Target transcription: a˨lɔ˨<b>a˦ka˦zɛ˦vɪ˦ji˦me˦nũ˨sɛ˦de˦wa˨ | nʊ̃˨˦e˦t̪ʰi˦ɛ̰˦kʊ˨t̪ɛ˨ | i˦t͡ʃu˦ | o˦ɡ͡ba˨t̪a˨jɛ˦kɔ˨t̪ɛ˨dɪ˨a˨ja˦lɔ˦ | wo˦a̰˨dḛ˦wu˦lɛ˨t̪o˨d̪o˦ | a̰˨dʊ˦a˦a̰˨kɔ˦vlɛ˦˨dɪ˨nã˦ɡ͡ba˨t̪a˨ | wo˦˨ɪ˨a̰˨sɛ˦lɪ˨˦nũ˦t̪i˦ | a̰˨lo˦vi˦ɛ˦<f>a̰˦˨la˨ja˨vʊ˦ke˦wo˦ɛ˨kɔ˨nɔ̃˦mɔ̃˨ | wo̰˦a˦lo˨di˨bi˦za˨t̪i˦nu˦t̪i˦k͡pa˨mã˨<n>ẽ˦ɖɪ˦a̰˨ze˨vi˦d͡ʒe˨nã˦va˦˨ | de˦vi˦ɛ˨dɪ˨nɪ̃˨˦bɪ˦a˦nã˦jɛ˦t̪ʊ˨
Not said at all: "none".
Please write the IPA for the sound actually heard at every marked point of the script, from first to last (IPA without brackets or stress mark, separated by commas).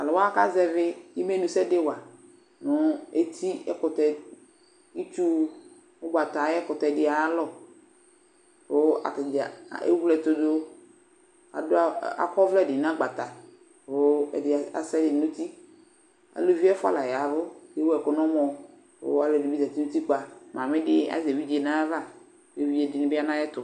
w, f, m